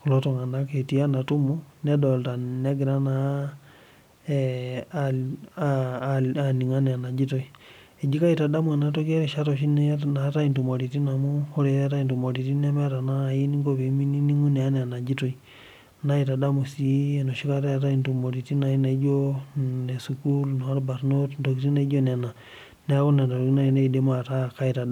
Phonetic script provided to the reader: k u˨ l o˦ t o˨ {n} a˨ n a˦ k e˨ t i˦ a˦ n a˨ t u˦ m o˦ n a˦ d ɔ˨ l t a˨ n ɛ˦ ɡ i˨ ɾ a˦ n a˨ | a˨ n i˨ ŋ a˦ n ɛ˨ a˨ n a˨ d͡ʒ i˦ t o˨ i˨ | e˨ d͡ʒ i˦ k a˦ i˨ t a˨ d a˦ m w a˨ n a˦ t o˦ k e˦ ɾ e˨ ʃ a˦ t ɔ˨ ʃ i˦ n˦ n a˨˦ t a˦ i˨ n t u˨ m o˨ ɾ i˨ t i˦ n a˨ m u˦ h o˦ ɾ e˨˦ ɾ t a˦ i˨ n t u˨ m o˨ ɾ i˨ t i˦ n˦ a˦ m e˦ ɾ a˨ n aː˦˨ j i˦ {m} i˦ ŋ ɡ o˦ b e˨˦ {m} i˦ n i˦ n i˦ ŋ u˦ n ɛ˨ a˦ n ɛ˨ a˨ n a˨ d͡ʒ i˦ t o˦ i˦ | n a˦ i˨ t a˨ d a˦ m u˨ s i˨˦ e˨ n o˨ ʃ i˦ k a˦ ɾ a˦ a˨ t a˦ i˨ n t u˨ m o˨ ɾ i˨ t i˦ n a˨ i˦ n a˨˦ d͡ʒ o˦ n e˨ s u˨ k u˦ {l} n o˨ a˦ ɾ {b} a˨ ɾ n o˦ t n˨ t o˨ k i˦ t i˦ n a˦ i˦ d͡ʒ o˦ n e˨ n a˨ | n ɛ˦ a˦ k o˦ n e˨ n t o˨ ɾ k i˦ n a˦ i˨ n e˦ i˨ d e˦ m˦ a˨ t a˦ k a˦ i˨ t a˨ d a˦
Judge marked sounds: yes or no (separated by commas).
no, no, yes, yes, yes